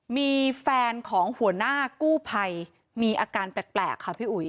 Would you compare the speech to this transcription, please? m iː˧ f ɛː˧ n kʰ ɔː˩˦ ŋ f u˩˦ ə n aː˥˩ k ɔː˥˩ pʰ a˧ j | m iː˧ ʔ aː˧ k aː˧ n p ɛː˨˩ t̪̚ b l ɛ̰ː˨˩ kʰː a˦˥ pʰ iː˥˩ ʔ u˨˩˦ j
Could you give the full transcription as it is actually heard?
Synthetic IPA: m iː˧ f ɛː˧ n kʰ ɔː˩˦ ŋ h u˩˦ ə n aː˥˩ k uː˥˩ pʰ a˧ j | m iː˧ ʔ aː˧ k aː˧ n p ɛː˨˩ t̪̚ p l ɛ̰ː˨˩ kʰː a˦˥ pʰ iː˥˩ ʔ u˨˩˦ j

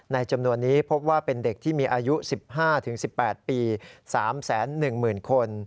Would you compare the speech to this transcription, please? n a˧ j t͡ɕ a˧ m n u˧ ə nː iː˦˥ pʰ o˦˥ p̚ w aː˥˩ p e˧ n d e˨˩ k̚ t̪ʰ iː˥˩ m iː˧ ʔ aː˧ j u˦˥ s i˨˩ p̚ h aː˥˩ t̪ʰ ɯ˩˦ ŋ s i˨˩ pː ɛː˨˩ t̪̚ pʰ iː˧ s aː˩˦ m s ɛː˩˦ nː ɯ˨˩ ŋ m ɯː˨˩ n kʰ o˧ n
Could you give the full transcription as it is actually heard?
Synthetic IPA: n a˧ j t͡ɕ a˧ m n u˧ ə nː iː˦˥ pʰ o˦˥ p̚ w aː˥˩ p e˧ n d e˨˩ k̚ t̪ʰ iː˥˩ m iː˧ ʔ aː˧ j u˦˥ s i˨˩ p̚ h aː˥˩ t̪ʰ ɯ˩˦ ŋ s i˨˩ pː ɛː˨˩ t̪̚ p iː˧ s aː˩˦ m s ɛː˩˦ nː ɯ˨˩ ŋ m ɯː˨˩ n kʰ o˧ n

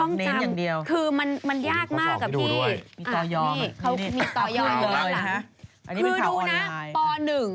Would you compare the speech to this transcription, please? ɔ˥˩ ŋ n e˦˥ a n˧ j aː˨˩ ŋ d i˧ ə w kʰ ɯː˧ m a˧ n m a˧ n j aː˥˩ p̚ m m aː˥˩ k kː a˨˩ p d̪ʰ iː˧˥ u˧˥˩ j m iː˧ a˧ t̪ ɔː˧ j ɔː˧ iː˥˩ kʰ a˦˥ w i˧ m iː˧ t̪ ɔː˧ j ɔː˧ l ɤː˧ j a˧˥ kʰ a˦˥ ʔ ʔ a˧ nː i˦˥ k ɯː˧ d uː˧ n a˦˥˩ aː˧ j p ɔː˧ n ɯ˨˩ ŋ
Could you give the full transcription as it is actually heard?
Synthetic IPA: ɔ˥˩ ŋ n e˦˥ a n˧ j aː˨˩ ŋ d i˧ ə w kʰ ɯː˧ m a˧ n m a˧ n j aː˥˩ k̚ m m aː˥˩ k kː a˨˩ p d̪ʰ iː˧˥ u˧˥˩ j m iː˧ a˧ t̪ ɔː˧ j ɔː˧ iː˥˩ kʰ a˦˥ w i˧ m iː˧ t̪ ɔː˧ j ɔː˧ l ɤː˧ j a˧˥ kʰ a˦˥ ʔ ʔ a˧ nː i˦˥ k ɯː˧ d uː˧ n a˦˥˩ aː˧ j p ɔː˧ n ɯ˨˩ ŋ

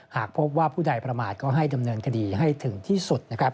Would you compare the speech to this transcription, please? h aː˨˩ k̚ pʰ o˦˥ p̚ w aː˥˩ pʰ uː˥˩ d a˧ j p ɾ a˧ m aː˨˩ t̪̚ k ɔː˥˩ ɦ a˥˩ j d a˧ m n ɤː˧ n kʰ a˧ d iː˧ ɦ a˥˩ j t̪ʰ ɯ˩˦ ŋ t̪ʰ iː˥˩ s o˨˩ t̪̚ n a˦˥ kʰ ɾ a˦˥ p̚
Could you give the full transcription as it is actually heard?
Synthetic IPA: h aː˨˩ k̚ pʰ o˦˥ p̚ w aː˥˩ pʰ uː˥˩ d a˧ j p ɾ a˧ m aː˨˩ t̪̚ k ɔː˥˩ ɦ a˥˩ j d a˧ m n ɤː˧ n kʰ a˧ d iː˧ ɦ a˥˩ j t̪ʰ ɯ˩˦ ŋ t̪ʰ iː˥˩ s u˨˩ t̪̚ n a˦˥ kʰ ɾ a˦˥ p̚

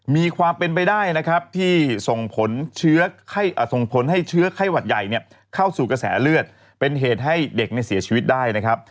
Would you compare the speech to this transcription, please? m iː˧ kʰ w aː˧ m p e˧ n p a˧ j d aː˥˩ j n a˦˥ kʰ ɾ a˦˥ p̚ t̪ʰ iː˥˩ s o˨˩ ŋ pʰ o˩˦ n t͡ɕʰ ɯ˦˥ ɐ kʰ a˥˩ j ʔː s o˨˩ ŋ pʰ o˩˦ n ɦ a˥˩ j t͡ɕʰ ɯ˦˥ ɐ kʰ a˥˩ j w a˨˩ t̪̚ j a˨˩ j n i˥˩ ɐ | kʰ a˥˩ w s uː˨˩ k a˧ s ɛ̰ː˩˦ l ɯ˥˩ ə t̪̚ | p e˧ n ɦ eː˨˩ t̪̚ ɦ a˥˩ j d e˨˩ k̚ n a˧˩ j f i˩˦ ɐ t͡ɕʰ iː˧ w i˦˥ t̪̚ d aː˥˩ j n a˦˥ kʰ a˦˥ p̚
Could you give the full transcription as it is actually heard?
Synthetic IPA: m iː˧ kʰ w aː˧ m p e˧ n p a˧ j d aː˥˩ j n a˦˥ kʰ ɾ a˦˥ p̚ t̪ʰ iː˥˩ s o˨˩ ŋ pʰ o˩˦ n t͡ɕʰ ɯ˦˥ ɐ kʰ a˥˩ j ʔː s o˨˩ ŋ pʰ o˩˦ n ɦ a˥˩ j t͡ɕʰ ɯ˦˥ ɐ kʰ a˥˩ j w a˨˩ t̪̚ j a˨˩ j n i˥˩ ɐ | kʰ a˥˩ w s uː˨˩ k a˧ s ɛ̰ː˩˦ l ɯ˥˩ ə t̪̚ | p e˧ n ɦ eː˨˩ t̪̚ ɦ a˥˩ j d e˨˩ k̚ n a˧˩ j s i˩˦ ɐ t͡ɕʰ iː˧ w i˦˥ t̪̚ d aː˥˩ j n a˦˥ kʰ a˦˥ p̚

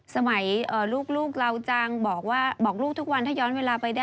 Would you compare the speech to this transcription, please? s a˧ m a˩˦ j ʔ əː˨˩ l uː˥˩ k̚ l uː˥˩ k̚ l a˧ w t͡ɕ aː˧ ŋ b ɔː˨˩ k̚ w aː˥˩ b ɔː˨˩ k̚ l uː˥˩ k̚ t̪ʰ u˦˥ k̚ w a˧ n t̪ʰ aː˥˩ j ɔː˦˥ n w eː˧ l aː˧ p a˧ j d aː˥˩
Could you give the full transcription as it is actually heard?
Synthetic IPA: s a˧ m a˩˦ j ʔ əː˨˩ l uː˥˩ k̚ l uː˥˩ k̚ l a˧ w t͡ɕ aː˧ ŋ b ɔː˨˩ k̚ w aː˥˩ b ɔː˨˩ k̚ l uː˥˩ k̚ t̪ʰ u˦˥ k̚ w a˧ n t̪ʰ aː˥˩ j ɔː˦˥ n w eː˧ l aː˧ p a˧ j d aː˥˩

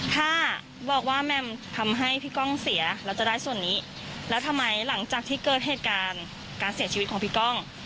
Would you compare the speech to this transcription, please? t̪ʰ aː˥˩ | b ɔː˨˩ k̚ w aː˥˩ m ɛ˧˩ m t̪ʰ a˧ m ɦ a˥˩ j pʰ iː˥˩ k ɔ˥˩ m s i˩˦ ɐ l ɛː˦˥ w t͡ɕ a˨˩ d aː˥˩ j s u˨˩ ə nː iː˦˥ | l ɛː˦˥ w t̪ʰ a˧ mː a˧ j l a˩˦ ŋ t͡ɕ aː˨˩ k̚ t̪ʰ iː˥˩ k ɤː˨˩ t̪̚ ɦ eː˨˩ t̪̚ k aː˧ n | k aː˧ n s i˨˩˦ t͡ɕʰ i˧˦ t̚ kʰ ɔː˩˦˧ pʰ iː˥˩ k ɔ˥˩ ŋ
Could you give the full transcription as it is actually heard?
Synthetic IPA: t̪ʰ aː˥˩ | b ɔː˨˩ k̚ w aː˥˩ m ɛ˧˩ m t̪ʰ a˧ m ɦ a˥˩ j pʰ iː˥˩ k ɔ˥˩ ŋ s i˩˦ ɐ l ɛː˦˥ w t͡ɕ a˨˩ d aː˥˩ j s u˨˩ ə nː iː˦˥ | l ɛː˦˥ w t̪ʰ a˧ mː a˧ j l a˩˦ ŋ t͡ɕ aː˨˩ k̚ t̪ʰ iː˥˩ k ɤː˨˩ t̪̚ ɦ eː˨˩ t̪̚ k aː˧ n | k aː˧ n s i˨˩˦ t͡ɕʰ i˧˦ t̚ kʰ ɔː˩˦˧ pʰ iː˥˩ k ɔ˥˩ ŋ

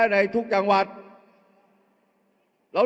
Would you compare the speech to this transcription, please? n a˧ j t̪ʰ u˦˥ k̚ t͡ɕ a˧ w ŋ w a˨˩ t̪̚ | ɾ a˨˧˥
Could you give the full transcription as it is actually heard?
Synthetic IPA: n a˧ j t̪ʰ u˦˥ k̚ t͡ɕ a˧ ŋ w a˨˩ t̪̚ | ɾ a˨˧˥

